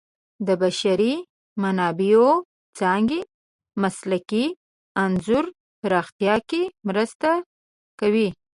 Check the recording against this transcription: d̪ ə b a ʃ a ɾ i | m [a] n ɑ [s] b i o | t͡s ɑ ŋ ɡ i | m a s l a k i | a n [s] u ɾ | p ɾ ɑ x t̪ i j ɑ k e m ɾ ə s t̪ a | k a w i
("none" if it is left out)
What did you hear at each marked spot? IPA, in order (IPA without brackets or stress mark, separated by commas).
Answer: a, none, z